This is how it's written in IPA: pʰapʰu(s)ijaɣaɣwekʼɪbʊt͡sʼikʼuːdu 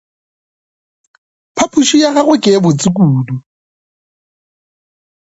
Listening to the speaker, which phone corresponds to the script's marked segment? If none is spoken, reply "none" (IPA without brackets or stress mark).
ʃ